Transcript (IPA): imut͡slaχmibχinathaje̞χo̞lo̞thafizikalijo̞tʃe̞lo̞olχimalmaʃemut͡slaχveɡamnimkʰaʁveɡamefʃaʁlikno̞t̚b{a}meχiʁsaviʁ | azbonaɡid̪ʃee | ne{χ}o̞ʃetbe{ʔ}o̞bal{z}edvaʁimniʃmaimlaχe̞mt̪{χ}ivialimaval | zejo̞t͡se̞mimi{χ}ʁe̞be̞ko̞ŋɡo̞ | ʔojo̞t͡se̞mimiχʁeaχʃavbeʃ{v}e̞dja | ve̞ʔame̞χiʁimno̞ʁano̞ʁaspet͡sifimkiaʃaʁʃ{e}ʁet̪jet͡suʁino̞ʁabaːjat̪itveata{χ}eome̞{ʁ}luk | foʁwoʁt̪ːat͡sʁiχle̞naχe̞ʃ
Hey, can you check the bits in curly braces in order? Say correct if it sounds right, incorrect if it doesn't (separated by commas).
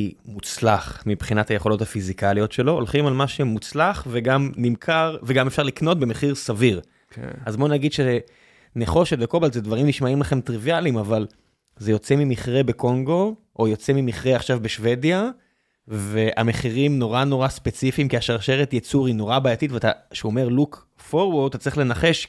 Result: incorrect, correct, incorrect, correct, incorrect, correct, correct, correct, incorrect, correct